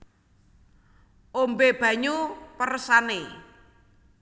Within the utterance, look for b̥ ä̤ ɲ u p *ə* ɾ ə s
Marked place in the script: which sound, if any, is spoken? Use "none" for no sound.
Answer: ə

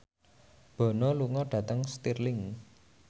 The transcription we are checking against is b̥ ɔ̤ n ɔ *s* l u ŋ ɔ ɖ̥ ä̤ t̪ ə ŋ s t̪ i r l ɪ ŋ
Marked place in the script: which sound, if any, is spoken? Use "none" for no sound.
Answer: none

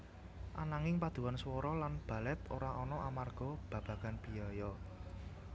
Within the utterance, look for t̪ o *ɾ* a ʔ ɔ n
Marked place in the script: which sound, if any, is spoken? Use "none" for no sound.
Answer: ɾ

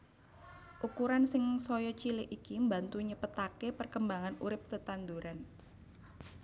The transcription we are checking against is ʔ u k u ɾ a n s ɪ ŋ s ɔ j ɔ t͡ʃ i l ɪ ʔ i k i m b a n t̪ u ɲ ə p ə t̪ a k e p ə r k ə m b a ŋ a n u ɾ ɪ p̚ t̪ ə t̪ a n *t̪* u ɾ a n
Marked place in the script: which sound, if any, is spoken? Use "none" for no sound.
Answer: d̪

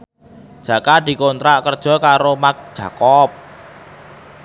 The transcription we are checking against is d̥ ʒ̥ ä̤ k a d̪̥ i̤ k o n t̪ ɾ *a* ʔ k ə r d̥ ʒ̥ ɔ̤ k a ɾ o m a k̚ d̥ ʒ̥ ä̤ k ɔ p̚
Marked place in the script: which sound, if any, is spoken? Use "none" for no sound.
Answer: a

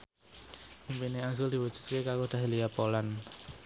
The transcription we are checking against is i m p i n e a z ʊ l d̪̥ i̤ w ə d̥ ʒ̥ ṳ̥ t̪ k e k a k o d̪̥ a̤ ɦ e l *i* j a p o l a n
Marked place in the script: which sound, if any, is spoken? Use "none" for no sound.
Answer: i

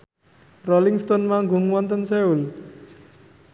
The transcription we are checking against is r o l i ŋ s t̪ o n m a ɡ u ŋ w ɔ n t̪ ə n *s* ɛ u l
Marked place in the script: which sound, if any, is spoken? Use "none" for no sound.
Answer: s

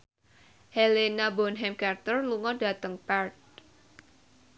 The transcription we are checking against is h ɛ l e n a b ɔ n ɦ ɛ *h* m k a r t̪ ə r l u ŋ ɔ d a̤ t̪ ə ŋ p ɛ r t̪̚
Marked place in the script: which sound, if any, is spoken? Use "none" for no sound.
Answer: none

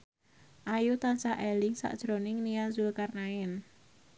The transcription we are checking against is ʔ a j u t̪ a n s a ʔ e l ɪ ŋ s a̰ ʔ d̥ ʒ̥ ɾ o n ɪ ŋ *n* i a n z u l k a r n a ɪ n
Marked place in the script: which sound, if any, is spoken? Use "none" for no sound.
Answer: n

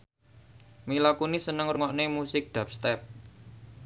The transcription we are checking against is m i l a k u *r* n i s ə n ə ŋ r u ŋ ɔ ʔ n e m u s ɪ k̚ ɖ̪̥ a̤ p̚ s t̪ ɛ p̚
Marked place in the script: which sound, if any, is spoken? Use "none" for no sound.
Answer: none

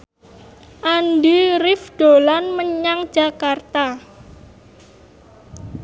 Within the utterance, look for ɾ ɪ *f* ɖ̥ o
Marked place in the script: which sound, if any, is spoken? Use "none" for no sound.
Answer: f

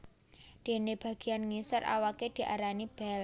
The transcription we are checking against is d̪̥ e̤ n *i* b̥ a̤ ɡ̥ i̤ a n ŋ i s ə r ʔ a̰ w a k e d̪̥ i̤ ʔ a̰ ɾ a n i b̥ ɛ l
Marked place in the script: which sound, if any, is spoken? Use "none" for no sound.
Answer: e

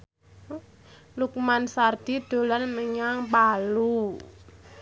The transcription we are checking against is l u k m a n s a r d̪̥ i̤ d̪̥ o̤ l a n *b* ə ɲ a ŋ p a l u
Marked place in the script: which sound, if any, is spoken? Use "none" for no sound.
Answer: m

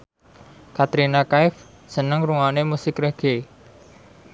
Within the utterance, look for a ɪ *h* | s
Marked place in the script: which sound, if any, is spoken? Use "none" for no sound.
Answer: f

